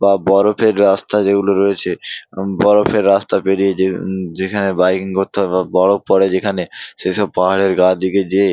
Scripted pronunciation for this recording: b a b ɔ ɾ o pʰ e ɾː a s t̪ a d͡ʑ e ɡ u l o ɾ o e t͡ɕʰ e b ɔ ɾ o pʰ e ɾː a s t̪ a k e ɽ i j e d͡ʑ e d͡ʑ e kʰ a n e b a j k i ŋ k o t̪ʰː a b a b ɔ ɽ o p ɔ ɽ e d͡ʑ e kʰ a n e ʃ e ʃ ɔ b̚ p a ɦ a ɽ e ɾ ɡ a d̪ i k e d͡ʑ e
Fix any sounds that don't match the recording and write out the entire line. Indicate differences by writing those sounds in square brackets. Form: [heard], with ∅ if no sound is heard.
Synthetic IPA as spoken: b a b ɔ ɾ o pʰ e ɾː a s t̪ a d͡ʑ e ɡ u l o ɾ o e t͡ɕʰ e b ɔ ɾ o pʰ e ɾː a s t̪ a [p] e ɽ i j e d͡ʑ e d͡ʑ e kʰ a n e b a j k i ŋ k o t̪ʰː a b a b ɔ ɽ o p ɔ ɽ e d͡ʑ e kʰ a n e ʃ e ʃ ɔ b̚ p a ɦ a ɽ e ɾ ɡ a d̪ i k e d͡ʑ e